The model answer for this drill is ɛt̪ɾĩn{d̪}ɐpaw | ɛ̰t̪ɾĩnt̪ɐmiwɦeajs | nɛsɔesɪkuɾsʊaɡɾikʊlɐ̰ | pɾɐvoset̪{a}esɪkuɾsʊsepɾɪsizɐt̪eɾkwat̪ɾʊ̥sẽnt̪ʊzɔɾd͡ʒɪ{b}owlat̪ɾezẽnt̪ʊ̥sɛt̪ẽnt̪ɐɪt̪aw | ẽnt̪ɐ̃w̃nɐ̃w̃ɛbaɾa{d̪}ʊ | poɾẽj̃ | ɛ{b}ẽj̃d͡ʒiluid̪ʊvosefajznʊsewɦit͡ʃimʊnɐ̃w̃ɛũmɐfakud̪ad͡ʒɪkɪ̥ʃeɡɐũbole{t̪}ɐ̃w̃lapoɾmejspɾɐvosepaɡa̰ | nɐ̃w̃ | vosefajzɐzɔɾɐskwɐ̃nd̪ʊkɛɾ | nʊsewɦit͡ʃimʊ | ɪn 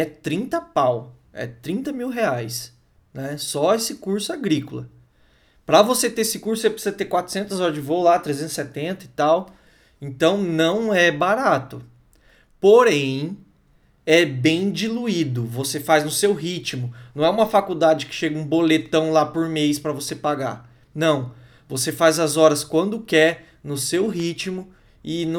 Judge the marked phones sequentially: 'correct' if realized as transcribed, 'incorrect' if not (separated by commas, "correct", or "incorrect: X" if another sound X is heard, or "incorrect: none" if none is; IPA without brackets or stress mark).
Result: incorrect: t̪, incorrect: e, incorrect: v, incorrect: t̪, correct, correct